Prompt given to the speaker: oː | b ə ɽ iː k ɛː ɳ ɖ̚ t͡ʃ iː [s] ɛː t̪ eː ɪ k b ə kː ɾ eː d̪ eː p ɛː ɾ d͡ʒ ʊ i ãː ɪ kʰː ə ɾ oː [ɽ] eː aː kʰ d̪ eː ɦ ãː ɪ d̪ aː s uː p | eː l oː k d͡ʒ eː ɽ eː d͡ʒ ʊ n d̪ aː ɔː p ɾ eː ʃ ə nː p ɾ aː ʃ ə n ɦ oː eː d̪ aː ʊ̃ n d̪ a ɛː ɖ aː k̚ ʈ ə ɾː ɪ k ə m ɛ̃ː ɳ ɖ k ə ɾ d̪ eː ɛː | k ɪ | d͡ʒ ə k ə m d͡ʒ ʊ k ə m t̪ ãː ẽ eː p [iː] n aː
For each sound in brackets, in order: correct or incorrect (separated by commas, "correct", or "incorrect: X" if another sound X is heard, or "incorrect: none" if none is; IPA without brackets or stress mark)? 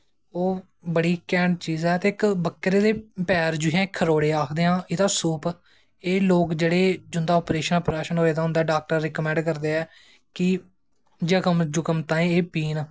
incorrect: z, correct, correct